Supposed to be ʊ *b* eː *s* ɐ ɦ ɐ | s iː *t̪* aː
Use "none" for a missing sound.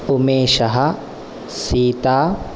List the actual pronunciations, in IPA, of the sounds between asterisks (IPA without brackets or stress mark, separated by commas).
m, ʃ, t̪